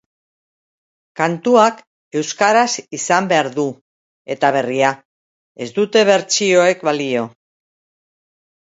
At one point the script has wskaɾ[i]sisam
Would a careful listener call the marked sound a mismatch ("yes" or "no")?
yes